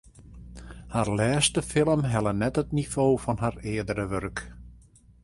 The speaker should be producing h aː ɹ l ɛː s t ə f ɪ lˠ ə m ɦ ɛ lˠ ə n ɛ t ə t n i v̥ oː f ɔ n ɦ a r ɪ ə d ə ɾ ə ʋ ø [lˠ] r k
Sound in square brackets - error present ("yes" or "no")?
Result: yes